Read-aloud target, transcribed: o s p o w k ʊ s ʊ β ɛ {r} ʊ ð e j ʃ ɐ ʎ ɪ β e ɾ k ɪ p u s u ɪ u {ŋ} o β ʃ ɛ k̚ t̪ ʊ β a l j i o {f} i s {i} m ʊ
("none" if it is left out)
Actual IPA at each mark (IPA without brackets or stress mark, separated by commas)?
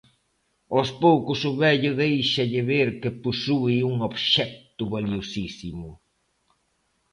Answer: ʎ, ŋ, s, i